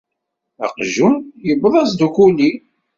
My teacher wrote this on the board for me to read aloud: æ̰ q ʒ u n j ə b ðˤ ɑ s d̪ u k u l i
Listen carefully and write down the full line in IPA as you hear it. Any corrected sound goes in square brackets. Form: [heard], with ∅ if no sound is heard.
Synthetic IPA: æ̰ q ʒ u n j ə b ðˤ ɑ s d̪ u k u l i